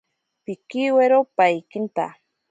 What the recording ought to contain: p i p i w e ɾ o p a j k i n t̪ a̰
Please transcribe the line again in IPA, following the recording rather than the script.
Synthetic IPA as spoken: p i k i w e ɾ o p a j k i n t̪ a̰

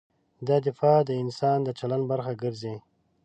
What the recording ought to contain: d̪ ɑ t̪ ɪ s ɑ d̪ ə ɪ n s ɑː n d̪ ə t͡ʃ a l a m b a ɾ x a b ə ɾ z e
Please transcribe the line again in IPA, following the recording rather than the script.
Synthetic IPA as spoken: d̪ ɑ d̪ ɪ f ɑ d̪ ə ɪ n s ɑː n d̪ ə t͡ʃ a l a n b a ɾ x a ɡ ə ɾ z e

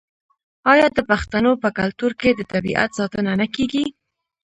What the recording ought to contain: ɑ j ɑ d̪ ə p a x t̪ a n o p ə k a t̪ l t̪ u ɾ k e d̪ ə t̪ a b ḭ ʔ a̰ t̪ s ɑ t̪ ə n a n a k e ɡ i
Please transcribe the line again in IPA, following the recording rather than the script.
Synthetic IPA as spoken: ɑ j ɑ d̪ ə p a x t̪ a n o p ə k a l t̪ u ɾ k e d̪ ə t̪ a b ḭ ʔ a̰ t̪ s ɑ t̪ ə n a n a k e ɡ i

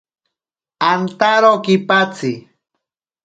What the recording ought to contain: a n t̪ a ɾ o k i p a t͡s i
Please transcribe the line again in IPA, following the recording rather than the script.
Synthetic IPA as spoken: a n t̪ a ɾ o k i p a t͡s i

